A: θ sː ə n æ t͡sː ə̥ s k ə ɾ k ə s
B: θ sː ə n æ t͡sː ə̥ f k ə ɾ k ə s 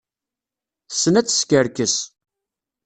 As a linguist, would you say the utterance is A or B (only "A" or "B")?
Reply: A